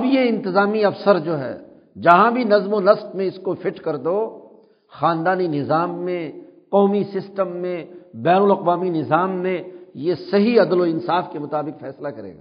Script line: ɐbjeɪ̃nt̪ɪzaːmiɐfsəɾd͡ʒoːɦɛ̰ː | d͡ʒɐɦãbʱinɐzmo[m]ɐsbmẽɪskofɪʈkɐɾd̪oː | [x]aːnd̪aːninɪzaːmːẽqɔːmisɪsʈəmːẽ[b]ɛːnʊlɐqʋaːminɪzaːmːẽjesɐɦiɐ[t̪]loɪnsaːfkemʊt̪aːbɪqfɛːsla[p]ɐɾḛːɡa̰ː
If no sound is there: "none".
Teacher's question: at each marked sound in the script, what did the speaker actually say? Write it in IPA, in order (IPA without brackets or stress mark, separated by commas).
n, x, b, d̪, k